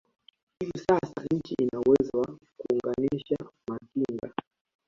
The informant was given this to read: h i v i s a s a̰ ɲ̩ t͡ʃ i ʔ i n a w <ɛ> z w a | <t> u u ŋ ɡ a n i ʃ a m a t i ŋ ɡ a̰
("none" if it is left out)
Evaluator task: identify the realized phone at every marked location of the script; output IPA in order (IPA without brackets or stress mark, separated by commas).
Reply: ɛ, k